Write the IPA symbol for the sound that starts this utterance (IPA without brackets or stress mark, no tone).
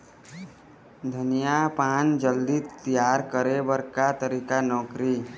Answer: d̪ʱ